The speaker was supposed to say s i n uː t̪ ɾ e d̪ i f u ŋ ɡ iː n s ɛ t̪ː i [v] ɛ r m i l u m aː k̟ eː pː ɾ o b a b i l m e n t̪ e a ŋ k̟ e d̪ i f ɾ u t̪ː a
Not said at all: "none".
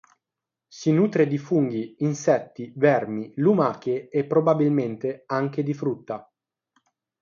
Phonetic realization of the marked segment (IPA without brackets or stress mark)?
v